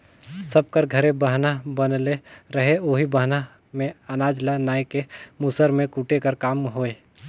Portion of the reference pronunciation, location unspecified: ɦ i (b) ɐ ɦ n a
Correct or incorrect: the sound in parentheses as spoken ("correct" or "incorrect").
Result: correct